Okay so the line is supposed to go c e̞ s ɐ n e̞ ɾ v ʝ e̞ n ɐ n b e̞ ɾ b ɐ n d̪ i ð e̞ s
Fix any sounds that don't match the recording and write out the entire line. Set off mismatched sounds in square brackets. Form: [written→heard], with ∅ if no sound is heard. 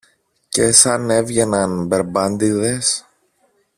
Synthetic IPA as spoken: c e̞ s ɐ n e̞ [ɾ→∅] v ʝ e̞ n ɐ n b e̞ ɾ b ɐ n d̪ i ð e̞ s